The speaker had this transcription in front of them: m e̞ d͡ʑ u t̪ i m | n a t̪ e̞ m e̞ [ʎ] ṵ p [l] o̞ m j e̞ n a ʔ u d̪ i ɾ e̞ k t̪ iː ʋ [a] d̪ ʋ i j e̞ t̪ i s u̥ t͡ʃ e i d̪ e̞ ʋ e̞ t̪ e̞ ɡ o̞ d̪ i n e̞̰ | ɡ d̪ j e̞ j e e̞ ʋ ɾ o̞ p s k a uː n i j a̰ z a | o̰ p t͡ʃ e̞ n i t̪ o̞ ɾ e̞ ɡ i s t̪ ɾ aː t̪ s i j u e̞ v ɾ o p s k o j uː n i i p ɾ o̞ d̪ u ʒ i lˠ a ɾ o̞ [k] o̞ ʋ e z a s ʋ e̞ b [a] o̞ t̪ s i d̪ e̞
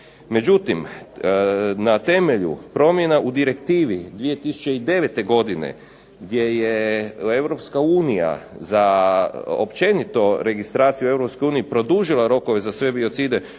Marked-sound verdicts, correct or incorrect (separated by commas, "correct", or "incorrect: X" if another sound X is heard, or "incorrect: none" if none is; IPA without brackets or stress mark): correct, incorrect: ɾ, incorrect: i, correct, incorrect: i